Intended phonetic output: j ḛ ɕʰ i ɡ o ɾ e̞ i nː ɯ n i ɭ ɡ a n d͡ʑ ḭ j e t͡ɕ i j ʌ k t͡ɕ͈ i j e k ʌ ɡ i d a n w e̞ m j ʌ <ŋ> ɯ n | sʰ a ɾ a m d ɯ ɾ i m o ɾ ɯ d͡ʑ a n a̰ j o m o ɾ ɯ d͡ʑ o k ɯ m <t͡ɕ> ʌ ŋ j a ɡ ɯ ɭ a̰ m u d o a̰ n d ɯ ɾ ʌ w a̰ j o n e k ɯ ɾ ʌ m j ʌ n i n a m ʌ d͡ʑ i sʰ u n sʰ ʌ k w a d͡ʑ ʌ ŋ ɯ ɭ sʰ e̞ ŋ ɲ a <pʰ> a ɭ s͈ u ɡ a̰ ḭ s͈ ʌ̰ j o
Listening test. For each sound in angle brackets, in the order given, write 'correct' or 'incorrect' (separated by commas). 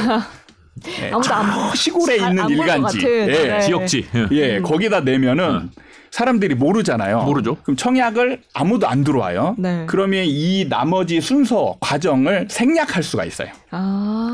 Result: incorrect, incorrect, incorrect